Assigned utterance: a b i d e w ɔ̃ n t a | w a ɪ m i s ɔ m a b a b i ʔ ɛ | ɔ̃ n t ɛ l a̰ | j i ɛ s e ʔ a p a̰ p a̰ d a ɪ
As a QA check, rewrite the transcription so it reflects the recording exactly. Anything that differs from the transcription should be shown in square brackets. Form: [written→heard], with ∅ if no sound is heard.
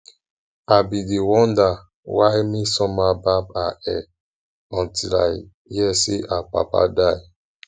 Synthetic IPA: a b i d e w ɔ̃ n [t→d] a | w a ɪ m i s ɔ m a b a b [i→a] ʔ ɛ | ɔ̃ n t [ɛ→i] l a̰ | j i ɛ s e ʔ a p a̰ p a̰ d a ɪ